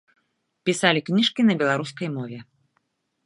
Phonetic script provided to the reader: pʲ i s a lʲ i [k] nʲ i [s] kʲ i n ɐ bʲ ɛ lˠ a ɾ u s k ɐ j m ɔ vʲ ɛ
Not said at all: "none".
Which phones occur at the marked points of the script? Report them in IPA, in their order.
k, ʂ

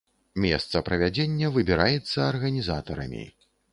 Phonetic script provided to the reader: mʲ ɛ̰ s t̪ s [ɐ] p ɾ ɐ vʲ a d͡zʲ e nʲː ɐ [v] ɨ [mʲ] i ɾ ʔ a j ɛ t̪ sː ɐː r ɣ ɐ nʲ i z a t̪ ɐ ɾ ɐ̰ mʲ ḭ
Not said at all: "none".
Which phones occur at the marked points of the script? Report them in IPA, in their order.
ɐ, v, bʲ

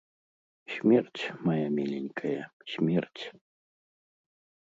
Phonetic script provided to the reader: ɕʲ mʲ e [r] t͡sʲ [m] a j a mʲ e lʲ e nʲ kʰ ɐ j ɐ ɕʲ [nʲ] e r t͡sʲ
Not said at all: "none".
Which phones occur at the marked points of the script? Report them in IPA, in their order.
r, m, mʲ

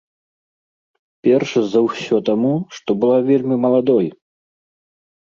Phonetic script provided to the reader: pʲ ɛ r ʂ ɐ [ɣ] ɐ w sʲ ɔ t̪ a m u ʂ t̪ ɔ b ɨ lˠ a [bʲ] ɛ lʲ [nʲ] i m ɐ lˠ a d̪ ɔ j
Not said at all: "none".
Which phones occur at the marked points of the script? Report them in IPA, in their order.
z, vʲ, mʲ

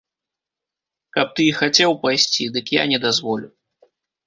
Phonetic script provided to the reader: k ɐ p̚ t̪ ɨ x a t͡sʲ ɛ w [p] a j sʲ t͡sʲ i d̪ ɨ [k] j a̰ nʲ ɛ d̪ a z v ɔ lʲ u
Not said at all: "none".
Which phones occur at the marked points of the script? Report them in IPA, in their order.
p, k

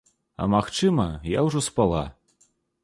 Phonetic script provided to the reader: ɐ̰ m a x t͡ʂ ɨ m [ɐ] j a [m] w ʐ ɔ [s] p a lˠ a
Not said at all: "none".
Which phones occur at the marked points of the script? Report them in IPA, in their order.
ɐ, none, s

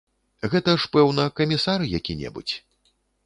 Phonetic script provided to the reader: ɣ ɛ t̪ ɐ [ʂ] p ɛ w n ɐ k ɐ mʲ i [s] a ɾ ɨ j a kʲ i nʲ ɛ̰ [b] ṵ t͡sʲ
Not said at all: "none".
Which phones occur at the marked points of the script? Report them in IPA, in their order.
ʂ, s, b

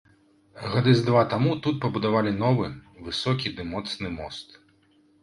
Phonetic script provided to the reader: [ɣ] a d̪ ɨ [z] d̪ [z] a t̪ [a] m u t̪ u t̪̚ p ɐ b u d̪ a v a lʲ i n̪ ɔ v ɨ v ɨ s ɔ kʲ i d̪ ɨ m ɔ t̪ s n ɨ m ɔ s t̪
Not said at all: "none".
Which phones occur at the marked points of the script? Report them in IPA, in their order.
ɣ, z, v, a

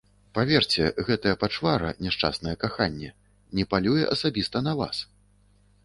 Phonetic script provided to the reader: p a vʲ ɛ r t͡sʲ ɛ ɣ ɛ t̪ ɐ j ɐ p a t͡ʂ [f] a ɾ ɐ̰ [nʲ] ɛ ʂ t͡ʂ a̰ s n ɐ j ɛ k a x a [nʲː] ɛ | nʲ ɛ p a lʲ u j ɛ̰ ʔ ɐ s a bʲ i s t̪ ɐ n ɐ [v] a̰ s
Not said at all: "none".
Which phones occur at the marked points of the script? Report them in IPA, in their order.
v, nʲ, nʲː, v

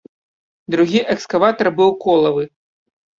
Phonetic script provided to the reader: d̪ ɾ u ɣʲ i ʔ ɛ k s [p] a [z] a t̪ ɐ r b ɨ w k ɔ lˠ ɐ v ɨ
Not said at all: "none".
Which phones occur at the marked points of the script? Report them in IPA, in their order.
k, v

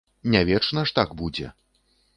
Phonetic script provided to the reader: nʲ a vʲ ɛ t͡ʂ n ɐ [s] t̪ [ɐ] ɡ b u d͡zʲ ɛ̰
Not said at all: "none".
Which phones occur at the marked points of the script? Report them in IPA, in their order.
ʂ, a

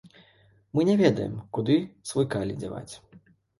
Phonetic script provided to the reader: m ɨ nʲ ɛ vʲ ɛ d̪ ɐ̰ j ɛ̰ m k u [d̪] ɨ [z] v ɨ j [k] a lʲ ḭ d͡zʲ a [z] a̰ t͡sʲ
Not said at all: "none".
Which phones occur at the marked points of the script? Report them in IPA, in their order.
d̪, s, k, v

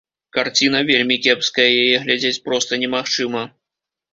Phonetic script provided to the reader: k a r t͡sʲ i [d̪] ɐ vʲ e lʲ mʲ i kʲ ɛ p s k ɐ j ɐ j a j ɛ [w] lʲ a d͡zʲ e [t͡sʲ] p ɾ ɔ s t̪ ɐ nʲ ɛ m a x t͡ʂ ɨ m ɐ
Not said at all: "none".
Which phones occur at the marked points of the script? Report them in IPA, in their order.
n̪, ɣ, t͡sʲ

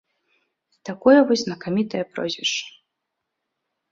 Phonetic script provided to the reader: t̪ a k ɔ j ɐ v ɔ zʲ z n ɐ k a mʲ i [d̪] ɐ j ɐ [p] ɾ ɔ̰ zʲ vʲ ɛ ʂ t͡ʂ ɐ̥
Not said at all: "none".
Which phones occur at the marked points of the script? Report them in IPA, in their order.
t̪, p

